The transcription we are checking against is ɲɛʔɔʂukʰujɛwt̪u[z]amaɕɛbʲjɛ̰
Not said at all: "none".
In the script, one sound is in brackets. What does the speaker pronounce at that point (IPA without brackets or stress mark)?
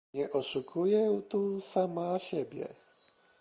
s